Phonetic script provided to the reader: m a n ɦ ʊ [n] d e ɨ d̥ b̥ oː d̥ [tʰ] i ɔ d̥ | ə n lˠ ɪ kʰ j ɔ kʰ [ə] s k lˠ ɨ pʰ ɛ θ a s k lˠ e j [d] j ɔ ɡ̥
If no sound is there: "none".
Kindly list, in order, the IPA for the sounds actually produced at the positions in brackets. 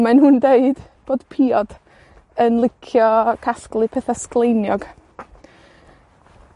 n, pʰ, a, n

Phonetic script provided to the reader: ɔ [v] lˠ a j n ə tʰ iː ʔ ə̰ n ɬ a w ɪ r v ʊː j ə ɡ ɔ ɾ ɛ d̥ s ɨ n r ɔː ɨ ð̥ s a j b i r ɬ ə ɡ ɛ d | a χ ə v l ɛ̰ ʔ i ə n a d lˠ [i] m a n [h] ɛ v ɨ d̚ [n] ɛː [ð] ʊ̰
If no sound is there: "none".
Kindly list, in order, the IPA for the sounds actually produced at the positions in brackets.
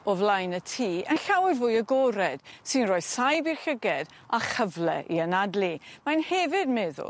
v, i, h, m, ð

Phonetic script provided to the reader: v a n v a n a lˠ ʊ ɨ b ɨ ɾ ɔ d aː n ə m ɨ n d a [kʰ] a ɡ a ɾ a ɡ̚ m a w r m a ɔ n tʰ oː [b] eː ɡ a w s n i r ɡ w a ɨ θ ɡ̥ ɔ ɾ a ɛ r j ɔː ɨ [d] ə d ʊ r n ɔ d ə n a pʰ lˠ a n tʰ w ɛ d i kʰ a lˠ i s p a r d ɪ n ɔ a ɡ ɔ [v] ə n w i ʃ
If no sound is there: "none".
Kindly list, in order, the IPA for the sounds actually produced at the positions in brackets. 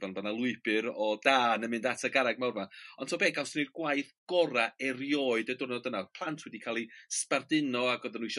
tʰ, b, d, ð

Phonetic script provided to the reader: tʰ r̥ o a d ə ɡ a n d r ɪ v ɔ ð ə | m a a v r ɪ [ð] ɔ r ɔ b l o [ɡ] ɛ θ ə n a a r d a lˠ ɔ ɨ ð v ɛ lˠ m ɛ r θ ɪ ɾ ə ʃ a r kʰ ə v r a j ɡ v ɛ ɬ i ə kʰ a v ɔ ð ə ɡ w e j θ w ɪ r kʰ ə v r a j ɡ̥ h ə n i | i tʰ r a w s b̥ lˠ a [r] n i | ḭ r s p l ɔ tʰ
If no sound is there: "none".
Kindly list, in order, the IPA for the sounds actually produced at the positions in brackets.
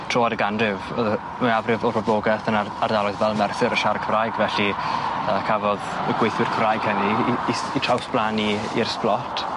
v, ɡ, none

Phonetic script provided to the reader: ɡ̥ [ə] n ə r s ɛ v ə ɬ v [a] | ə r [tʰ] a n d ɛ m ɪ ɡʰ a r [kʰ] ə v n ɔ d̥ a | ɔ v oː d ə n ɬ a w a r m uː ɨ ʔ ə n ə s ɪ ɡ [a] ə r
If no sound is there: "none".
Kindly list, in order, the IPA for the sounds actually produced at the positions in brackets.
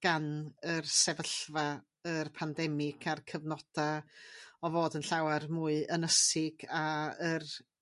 a, a, pʰ, kʰ, a

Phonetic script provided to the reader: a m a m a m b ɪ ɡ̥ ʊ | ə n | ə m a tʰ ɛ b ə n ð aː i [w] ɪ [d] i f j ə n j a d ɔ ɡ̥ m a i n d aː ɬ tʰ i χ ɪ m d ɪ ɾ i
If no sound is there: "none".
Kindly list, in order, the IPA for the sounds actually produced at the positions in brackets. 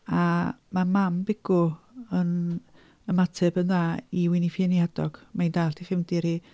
w, n

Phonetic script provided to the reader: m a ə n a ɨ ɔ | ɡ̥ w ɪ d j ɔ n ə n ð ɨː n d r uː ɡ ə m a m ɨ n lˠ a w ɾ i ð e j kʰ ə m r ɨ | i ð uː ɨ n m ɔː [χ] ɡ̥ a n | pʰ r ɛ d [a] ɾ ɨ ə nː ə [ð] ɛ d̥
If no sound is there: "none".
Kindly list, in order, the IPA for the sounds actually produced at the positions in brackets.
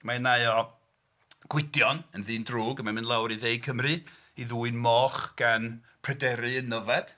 χ, ɛ, v

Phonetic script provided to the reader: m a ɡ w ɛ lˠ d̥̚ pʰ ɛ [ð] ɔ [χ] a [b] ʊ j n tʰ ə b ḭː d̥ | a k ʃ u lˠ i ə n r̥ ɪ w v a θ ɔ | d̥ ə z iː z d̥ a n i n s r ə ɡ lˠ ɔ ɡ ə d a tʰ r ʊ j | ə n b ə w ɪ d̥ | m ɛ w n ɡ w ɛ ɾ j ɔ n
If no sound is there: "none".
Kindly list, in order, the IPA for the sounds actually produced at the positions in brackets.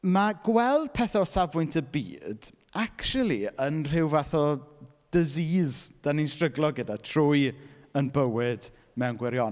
θ, s, v

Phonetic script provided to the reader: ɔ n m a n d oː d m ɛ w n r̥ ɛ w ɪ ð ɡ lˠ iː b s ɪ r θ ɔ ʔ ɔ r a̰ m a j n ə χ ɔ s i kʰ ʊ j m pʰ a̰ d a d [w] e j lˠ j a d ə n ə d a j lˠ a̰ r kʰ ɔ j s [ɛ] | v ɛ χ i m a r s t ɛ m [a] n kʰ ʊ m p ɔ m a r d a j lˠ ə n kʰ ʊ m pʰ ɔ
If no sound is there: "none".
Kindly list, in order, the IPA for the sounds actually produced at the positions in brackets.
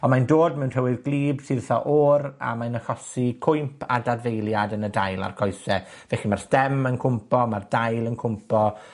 v, ɛ, ə

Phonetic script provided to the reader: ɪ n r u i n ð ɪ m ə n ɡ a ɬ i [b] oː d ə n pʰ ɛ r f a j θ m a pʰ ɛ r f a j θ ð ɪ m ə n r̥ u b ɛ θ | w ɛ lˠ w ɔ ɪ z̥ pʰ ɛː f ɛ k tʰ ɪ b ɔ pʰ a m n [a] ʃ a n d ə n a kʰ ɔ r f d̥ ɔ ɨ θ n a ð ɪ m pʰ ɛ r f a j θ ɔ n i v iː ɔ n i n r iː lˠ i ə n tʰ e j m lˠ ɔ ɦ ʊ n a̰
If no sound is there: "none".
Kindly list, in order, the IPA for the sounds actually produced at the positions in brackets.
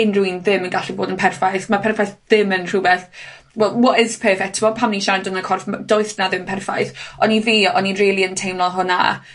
b, i

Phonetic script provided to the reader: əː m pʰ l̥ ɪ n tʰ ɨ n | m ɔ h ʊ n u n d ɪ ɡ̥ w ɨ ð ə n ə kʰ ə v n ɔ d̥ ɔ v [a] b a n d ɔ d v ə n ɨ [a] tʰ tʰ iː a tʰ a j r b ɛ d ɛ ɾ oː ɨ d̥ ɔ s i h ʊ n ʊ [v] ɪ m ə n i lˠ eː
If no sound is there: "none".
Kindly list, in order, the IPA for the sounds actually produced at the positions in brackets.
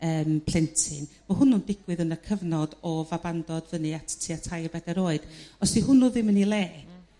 a, a, ð

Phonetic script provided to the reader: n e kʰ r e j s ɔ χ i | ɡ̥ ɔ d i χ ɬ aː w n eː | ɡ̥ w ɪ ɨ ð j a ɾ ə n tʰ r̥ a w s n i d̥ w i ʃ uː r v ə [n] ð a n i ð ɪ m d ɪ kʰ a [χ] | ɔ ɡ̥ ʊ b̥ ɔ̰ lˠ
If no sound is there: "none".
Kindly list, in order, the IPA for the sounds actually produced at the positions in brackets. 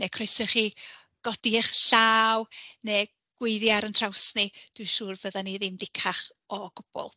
none, χ

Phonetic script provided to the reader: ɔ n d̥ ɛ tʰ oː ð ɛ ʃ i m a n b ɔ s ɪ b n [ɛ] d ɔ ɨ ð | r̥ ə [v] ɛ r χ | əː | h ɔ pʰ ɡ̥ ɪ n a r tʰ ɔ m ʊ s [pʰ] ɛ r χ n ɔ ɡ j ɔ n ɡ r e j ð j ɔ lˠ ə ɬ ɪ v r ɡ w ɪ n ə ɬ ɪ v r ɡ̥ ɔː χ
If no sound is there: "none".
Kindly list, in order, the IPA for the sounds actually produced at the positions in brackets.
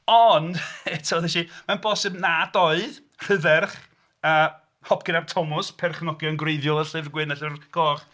a, ð, pʰ

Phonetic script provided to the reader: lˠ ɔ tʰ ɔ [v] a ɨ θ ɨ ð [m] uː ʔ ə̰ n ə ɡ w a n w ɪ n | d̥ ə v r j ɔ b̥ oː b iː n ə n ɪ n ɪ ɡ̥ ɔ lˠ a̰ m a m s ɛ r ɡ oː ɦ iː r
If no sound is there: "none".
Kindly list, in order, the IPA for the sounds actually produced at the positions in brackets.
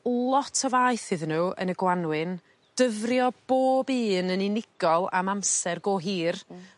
v, n

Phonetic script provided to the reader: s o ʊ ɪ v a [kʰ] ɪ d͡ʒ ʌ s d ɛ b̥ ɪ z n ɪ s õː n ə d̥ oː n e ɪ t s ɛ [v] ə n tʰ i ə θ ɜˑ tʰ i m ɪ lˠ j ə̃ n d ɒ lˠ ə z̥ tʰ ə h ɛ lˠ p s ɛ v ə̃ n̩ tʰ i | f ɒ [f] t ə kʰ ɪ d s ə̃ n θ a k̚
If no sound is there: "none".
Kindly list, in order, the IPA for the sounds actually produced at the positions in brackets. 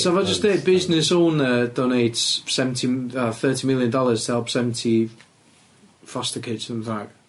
none, v, s

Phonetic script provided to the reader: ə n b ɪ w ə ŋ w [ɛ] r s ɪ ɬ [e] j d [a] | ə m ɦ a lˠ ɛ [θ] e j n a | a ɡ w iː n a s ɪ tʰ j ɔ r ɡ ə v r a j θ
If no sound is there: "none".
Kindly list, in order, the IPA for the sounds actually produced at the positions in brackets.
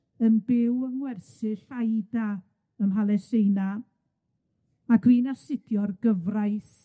ɛ, a, a, s

